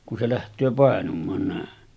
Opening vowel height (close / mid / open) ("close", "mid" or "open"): close